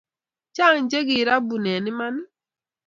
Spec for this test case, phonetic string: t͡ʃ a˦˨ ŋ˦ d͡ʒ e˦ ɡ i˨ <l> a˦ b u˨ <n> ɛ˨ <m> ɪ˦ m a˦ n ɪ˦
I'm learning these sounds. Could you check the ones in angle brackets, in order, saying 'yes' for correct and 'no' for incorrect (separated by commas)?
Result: no, yes, no